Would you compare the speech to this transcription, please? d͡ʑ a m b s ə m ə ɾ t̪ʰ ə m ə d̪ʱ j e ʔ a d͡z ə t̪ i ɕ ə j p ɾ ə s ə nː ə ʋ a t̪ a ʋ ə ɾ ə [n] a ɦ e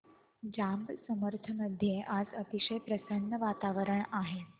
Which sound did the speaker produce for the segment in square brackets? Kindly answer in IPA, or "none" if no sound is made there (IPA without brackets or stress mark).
ɳ